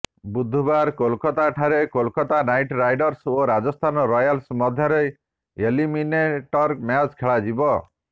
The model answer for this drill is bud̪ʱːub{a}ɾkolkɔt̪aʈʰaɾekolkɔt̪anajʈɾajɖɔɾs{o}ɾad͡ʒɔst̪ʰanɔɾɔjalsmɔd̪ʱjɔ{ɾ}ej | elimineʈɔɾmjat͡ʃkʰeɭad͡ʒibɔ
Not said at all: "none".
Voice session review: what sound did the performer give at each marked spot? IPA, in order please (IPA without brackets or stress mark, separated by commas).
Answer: a, o, ɾ